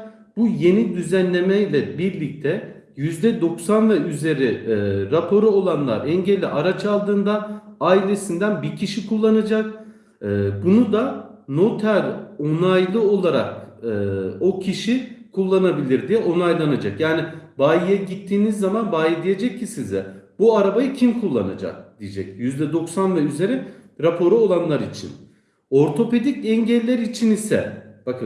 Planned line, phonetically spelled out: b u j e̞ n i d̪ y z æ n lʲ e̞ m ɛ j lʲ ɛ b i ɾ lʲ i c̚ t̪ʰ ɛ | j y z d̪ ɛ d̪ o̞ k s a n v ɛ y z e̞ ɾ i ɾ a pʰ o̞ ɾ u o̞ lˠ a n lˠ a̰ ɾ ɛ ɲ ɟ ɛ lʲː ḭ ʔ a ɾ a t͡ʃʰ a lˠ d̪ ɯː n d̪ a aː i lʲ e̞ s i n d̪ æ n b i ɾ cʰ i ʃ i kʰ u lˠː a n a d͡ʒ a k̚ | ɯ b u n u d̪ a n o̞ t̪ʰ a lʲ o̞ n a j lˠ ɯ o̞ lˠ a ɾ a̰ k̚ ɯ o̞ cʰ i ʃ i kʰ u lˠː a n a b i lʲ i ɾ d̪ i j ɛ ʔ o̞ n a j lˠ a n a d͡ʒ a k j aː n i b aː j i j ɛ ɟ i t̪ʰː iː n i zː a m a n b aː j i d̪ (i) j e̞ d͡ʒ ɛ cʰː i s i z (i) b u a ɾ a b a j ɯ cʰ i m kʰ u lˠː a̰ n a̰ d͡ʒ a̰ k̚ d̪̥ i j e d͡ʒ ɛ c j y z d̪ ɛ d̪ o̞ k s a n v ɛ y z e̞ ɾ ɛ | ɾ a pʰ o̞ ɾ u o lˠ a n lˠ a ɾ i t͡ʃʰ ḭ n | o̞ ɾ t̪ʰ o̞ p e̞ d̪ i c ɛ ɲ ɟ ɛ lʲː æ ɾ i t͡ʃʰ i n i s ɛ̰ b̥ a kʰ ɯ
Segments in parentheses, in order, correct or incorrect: correct, incorrect: ɛ

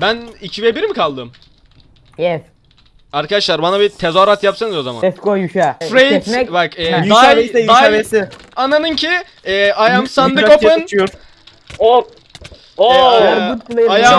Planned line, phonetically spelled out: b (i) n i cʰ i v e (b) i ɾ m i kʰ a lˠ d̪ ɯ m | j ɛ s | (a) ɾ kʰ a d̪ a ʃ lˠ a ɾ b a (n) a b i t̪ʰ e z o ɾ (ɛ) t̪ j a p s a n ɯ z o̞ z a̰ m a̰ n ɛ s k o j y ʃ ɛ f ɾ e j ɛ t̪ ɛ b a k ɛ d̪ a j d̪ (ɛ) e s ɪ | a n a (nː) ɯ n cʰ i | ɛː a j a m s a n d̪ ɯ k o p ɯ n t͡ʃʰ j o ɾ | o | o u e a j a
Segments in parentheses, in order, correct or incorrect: incorrect: æ, correct, correct, correct, incorrect: a, incorrect: a, incorrect: n

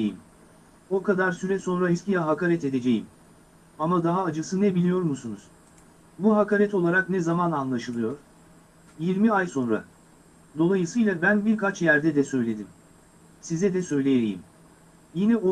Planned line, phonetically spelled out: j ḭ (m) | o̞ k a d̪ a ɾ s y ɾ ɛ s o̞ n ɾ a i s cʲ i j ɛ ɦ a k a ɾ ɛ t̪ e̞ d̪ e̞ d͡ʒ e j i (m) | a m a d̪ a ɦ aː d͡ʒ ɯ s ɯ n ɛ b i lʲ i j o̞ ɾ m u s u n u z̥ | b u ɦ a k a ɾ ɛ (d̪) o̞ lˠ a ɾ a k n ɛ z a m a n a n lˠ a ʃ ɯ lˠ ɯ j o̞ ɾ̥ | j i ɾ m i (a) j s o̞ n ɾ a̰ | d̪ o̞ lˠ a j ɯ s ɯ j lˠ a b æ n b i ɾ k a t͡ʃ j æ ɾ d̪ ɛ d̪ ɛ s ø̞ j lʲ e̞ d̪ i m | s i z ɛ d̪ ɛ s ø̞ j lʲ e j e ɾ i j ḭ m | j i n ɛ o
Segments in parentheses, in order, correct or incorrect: correct, correct, incorrect: t̪, correct

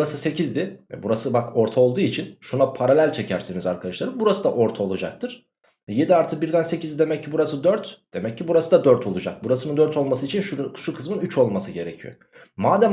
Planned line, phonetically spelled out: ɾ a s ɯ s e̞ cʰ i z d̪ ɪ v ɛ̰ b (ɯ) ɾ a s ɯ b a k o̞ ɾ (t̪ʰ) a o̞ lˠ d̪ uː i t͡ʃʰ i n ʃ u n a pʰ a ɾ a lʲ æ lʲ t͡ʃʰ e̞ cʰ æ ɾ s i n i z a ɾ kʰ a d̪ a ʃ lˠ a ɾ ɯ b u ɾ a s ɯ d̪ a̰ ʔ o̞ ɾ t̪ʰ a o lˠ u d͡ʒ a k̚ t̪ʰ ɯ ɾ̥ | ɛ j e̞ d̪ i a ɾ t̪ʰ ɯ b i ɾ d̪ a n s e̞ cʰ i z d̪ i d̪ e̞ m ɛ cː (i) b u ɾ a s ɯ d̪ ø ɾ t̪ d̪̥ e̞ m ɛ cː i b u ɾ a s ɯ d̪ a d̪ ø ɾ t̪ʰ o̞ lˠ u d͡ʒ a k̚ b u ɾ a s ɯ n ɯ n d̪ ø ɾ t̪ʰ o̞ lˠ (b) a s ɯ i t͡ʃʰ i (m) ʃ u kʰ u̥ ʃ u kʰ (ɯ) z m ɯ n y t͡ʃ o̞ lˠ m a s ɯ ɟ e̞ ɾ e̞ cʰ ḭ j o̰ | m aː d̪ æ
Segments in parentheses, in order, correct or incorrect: incorrect: u, correct, correct, incorrect: m, incorrect: n, correct

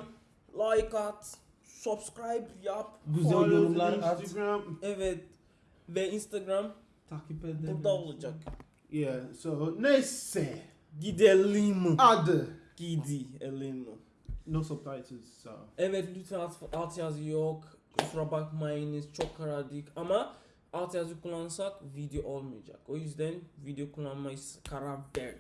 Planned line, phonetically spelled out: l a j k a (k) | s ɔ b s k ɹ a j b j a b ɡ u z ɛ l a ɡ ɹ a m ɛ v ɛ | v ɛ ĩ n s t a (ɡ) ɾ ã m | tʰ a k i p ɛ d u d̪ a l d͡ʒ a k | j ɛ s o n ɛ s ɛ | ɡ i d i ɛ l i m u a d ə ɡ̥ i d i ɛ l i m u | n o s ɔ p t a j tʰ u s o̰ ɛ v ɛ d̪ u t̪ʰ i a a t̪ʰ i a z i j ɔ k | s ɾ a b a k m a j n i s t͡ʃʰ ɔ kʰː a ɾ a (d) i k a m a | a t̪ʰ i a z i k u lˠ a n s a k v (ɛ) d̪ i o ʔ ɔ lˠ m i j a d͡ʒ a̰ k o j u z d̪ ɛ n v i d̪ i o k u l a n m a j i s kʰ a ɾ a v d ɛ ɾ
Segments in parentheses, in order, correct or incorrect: incorrect: t, correct, correct, incorrect: i

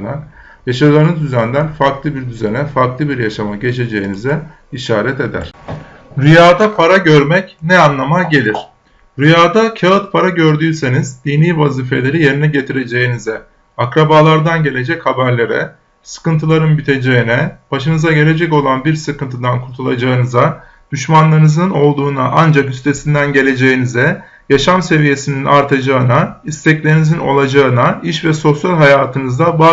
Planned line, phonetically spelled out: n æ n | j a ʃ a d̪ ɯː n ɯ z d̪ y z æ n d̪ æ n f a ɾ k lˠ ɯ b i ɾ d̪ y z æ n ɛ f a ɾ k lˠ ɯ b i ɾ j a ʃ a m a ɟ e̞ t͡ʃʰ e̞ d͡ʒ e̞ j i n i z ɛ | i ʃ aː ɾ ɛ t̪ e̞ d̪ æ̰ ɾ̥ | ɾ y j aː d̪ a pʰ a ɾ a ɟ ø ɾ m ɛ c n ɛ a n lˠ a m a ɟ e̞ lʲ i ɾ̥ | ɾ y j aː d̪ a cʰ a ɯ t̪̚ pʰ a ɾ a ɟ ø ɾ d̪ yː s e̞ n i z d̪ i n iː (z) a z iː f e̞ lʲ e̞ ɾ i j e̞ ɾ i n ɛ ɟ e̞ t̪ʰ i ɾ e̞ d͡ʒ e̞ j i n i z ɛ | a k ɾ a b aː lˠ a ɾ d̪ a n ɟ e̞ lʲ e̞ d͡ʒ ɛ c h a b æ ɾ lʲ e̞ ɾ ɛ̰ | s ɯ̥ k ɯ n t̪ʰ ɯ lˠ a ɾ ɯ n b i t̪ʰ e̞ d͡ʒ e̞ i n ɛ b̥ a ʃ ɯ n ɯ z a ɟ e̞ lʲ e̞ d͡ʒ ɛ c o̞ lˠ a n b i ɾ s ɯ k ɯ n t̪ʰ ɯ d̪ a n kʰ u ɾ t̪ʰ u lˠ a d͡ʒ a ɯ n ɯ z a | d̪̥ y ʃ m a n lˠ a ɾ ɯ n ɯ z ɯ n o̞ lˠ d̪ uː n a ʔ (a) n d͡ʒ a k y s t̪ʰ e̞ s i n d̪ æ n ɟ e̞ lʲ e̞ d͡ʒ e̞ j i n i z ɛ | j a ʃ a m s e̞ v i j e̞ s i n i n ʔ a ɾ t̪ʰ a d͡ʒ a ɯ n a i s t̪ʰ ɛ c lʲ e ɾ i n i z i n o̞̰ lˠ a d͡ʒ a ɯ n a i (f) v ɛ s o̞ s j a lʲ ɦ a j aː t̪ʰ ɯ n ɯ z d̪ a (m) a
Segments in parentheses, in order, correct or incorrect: incorrect: v, correct, incorrect: ʃ, incorrect: b

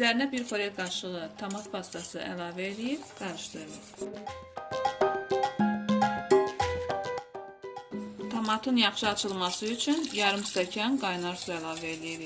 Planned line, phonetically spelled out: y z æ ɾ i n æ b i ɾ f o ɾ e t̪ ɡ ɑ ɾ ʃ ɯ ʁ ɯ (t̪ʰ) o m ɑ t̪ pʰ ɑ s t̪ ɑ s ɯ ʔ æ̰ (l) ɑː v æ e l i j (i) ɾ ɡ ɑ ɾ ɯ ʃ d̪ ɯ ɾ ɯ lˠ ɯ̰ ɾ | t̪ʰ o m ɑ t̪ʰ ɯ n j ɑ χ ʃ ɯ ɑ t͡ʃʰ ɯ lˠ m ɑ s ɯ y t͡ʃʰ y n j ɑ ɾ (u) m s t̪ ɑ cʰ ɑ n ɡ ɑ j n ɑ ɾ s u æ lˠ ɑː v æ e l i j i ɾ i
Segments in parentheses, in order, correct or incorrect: correct, correct, correct, incorrect: ɯ

